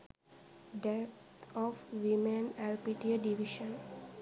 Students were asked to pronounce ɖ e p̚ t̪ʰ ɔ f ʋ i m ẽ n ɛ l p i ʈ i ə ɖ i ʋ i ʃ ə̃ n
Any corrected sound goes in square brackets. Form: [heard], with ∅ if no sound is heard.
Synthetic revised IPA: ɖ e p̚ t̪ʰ ɔ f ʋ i m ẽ n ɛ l p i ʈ i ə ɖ i ʋ i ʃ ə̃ n